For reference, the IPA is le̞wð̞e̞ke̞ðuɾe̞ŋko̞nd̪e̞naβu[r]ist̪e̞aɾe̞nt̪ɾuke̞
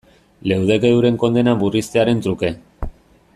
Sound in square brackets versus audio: correct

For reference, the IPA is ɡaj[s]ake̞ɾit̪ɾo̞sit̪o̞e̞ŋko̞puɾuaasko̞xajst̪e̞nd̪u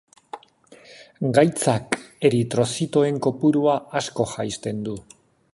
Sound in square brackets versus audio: incorrect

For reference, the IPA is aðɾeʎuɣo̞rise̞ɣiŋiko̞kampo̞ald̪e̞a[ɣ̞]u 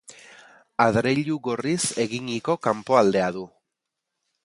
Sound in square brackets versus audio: incorrect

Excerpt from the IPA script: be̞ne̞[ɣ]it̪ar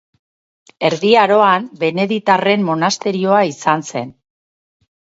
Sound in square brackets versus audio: incorrect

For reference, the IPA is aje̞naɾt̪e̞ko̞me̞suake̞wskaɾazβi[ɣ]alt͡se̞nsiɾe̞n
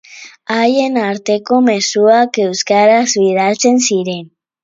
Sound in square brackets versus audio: incorrect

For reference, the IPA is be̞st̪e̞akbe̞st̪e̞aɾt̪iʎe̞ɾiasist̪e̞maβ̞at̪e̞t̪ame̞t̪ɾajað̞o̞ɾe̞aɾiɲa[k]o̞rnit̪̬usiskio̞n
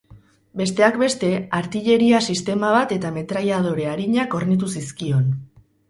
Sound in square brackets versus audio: correct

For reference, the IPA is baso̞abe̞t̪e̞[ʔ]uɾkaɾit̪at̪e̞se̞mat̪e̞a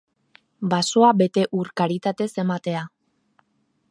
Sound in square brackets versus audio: correct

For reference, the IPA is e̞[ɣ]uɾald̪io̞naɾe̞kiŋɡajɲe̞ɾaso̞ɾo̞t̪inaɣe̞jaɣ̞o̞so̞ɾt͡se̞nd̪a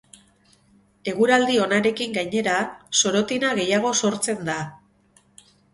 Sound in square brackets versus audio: correct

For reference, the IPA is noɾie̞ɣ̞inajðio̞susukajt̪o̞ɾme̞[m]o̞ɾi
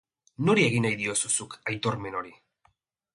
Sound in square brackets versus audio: incorrect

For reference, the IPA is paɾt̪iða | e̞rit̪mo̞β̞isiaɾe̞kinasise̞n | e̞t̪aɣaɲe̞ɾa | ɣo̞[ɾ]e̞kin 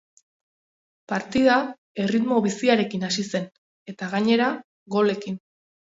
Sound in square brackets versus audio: incorrect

